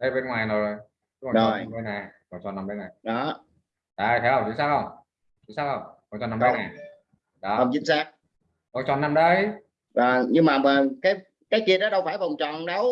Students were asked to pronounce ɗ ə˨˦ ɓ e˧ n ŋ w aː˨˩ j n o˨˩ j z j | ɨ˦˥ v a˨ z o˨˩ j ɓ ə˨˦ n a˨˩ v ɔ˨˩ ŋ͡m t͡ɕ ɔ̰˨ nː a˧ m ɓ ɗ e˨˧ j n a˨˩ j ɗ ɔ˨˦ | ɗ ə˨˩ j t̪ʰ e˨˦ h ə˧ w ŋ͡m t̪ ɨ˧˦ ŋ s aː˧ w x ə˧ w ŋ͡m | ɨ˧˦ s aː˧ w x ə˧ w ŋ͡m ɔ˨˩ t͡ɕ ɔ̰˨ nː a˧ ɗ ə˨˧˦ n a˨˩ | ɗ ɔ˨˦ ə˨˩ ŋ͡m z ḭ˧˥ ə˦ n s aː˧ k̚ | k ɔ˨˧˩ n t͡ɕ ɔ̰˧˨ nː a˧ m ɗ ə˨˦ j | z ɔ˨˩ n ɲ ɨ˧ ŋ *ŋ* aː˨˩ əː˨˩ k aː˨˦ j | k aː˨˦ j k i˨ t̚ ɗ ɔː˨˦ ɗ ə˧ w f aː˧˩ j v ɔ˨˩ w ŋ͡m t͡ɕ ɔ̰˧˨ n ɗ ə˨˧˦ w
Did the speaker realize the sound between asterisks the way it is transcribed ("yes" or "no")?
no